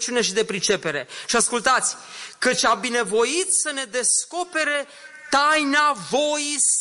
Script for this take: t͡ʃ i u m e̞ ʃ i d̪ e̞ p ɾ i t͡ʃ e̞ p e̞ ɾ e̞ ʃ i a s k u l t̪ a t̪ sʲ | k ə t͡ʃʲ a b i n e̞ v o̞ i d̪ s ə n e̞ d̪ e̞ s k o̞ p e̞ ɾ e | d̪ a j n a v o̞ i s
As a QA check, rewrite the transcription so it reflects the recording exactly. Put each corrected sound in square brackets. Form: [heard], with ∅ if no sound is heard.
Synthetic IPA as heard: t͡ʃ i u [n] e̞ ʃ i d̪ e̞ p ɾ i t͡ʃ e̞ p e̞ ɾ e̞ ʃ i a s k u l t̪ a t̪ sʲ | k ə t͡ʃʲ a b i n e̞ v o̞ i [t̪] s ə n e̞ d̪ e̞ s k o̞ p e̞ ɾ e | [t̪] a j n a v o̞ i s